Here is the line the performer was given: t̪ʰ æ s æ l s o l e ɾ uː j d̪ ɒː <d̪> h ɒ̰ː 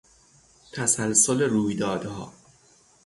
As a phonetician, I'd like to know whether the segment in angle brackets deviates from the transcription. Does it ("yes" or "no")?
no